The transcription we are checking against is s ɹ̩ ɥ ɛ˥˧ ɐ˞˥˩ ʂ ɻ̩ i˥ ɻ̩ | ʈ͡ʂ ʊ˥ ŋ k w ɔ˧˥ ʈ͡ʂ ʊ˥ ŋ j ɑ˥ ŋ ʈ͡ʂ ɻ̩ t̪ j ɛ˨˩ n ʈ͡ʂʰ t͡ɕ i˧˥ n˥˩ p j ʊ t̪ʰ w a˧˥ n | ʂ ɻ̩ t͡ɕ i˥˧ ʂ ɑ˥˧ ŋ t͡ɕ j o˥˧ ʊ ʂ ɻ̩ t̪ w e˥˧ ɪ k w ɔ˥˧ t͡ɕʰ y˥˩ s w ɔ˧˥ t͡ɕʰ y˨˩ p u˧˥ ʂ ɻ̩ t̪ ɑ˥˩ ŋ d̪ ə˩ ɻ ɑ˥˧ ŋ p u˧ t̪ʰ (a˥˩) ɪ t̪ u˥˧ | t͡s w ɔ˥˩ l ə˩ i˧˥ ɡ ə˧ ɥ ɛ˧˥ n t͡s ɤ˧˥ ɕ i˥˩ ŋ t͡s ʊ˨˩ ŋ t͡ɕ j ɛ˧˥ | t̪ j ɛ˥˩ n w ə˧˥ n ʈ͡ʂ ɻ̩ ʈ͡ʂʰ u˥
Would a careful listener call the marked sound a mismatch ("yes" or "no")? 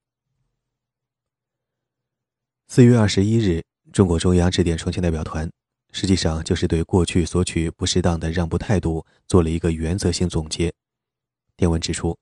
yes